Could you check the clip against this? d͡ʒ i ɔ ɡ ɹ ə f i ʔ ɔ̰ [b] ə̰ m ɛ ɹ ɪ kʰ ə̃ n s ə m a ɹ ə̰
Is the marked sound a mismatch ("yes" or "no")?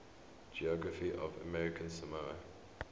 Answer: yes